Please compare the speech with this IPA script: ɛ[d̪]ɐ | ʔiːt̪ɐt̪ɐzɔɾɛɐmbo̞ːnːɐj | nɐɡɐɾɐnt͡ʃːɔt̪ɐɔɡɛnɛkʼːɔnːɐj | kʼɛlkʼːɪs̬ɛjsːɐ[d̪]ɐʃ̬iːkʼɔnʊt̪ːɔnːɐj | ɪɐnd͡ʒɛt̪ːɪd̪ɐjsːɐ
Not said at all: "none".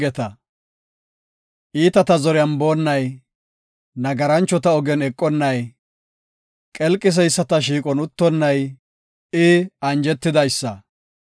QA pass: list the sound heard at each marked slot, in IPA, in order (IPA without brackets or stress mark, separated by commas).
t̪, t̪